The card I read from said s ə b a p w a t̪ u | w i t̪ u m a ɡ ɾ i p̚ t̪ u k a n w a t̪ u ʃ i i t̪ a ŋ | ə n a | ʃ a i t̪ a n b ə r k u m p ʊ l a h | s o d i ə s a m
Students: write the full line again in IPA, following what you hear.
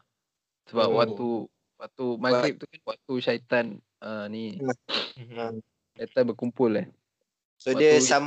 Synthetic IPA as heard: s ə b a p w a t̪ u | w a t̪ u m a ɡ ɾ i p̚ t̪ u k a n w a t̪ u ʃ a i t̪ a n | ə n i | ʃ a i t̪ a n b ə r k u m p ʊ l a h | s o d i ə s a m